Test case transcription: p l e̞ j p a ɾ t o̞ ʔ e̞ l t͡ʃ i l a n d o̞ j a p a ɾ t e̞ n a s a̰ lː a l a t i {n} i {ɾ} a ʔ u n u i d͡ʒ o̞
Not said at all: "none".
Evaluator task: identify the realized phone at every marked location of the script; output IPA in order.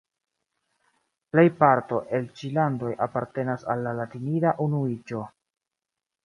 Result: n, ɾ

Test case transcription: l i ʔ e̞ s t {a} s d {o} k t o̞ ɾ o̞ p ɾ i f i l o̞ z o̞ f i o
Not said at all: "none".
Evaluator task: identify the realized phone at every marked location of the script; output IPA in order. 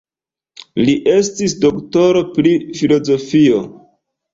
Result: i, o

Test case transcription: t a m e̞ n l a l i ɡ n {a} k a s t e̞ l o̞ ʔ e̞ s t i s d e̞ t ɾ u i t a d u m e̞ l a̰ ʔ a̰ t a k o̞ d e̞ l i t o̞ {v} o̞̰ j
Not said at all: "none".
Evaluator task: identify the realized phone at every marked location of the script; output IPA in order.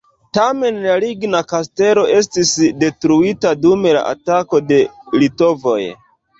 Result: a, v

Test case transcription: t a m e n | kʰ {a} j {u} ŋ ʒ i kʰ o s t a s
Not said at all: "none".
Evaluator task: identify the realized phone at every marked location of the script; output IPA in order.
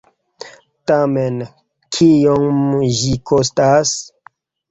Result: i, o

